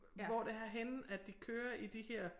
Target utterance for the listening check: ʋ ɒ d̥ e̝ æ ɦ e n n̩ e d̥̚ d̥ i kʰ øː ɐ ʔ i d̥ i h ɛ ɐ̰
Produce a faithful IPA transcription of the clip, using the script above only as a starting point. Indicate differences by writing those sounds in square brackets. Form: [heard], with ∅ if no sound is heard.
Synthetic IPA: ʋ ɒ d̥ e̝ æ ɦ e n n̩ [æ] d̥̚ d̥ i kʰ øː ɐ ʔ i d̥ i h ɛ ɐ̰